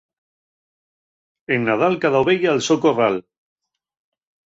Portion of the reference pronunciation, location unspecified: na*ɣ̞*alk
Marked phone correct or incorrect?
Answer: incorrect